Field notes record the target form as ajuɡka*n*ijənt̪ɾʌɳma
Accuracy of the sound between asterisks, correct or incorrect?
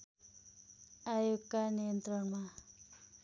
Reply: correct